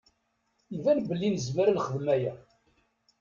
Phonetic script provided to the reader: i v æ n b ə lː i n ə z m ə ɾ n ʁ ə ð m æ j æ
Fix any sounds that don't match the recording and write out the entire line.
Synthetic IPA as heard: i v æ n b ə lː i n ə z m ə ɾ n χ ə ð m æ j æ